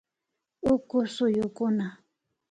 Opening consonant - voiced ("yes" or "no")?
no